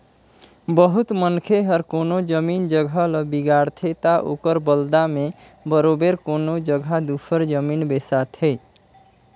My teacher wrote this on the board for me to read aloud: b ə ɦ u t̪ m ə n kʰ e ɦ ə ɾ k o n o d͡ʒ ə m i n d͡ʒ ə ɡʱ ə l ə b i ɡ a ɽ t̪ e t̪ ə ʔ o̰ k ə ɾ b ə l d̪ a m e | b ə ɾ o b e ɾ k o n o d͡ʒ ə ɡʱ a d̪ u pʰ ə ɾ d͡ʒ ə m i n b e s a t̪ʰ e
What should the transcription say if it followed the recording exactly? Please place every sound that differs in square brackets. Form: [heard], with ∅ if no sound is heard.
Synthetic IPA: b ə ɦ u t̪ m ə n kʰ e ɦ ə ɾ k o n o d͡ʒ ə m i n d͡ʒ ə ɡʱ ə l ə b i ɡ a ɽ [t̪ʰ] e t̪ [a] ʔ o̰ k ə ɾ b ə l d̪ a m e | b ə ɾ o b e ɾ k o n o d͡ʒ ə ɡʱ a d̪ u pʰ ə ɾ d͡ʒ ə m i n b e s a t̪ʰ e